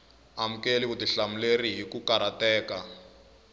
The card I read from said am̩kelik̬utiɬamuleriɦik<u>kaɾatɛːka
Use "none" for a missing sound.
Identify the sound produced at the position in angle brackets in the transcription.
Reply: u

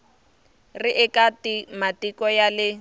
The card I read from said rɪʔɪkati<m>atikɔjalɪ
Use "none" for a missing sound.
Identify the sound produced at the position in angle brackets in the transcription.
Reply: m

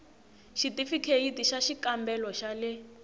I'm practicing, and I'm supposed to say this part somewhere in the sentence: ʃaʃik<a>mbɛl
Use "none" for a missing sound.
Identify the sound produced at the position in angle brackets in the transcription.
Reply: a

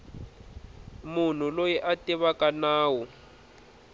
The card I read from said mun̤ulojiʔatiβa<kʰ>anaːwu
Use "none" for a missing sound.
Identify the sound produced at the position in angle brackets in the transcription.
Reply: k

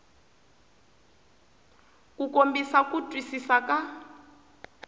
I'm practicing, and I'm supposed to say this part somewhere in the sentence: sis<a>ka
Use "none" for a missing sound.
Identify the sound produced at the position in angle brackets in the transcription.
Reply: a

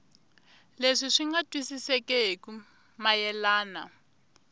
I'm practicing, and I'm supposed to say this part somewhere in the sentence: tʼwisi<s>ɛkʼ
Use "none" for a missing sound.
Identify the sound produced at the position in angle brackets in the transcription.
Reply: s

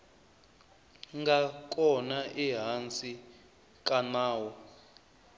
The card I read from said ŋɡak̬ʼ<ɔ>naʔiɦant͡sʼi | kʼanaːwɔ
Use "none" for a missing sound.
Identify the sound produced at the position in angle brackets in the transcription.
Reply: ɔ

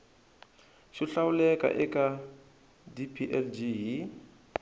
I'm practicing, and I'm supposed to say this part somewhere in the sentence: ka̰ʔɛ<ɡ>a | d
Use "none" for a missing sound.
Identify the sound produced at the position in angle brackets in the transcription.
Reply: k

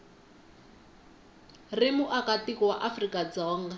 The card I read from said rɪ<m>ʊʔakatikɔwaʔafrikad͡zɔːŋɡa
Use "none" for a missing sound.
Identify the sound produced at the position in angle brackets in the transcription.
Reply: m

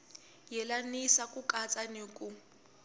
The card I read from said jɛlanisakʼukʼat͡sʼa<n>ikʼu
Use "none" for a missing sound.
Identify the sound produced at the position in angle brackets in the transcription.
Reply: n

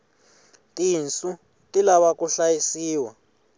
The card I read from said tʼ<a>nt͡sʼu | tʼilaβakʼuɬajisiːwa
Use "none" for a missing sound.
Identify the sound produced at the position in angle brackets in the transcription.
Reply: i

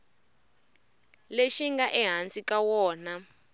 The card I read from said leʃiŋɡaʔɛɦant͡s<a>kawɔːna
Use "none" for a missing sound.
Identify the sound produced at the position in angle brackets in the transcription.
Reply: i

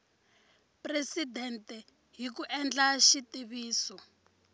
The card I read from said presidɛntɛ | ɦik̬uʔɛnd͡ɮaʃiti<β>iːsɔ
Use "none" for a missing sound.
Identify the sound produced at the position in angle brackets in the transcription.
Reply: β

